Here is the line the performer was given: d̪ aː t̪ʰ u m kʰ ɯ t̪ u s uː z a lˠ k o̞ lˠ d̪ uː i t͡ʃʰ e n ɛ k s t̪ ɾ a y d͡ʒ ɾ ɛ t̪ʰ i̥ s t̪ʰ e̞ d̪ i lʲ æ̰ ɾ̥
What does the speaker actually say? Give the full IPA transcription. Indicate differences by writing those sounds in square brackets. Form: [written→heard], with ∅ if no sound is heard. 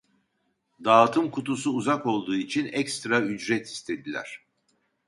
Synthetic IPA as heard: d̪ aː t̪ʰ [u→ɯ] m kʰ [ɯ→u] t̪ u s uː z a [lˠ→∅] k o̞ lˠ d̪ uː i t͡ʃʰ [e→i] n ɛ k s t̪ ɾ a y d͡ʒ ɾ ɛ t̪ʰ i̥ s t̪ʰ e̞ d̪ i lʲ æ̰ ɾ̥